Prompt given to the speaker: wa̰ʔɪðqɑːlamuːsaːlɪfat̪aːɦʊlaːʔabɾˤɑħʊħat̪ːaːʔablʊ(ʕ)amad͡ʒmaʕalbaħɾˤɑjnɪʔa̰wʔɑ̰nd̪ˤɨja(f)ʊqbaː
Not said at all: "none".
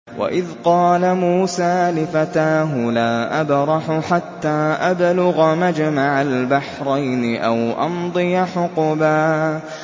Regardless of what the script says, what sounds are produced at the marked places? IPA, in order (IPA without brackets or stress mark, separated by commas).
ɣ, ħ